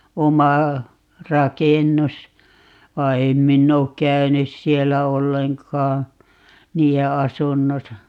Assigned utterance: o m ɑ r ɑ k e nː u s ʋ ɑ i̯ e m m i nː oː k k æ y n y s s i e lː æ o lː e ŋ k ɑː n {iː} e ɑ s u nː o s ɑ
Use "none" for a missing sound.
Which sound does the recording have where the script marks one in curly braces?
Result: iː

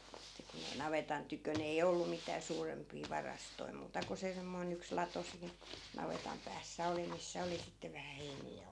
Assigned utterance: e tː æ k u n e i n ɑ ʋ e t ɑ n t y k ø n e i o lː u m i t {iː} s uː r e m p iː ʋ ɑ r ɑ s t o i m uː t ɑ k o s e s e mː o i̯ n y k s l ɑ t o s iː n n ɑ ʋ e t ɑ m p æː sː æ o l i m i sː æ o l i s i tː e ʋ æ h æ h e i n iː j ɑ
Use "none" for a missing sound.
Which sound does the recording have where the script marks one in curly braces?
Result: æː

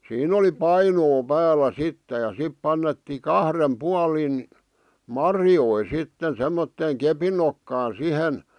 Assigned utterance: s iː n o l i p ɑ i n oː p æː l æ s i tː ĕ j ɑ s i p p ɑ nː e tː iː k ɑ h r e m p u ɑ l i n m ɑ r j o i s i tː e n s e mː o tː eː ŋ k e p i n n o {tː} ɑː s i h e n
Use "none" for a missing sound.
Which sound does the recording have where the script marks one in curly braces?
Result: kː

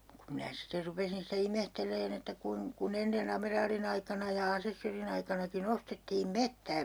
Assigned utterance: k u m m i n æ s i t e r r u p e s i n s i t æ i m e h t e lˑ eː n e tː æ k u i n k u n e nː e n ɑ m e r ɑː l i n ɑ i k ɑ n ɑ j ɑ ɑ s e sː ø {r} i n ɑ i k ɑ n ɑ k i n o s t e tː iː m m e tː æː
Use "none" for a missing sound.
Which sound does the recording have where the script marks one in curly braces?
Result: r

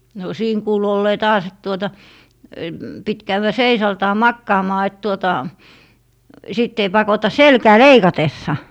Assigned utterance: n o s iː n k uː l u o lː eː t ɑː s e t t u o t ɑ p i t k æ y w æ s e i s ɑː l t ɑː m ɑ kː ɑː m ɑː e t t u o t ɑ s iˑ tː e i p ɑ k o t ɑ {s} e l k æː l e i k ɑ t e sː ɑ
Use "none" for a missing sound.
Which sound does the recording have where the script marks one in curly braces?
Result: s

